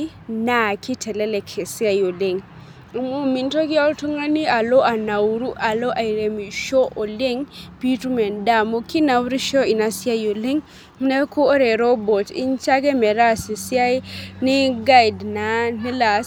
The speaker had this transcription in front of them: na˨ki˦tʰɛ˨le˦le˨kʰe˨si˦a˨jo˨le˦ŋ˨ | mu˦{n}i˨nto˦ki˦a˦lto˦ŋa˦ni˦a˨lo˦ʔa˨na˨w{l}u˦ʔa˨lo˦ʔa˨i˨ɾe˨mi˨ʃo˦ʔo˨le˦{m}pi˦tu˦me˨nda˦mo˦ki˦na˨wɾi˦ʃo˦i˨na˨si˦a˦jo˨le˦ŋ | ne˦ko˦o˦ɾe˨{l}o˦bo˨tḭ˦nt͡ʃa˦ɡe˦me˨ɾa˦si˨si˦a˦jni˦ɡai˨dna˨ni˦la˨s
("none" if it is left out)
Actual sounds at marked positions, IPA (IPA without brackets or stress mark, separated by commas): m, ɾ, ŋ, ɾ